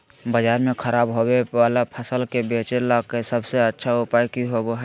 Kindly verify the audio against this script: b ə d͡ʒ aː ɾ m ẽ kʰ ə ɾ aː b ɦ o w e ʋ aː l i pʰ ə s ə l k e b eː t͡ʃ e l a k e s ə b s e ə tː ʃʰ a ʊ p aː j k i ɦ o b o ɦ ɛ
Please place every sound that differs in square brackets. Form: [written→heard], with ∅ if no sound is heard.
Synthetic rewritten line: b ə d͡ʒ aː ɾ m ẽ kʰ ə ɾ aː b ɦ o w e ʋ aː l [i→a] pʰ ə s ə l k e b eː t͡ʃ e l a k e s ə b s e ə tː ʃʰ a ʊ p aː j k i ɦ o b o ɦ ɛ